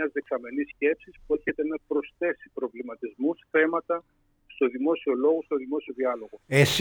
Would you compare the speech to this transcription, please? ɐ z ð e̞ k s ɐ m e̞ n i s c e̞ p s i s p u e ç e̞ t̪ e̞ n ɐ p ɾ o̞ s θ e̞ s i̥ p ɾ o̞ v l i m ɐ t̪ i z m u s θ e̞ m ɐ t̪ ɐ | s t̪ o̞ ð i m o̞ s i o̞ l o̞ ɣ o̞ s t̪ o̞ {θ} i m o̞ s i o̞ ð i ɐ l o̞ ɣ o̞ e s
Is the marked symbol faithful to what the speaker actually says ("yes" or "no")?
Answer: no